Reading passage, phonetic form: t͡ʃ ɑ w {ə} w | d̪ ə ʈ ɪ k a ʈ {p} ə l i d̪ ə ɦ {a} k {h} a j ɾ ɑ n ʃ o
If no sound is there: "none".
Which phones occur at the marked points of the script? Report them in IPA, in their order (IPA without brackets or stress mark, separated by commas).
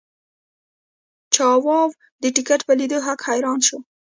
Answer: ɑ, p, a, h